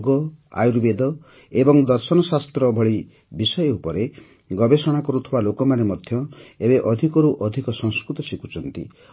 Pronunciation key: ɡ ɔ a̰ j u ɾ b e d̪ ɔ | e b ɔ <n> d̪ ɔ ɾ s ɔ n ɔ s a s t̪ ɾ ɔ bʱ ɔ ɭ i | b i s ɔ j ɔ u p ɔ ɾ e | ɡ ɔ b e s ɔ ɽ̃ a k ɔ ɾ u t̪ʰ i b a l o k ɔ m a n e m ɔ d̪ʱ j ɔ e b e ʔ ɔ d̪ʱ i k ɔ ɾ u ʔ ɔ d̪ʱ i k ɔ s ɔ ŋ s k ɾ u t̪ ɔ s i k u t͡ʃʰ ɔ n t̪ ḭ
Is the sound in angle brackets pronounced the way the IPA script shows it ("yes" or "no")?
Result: no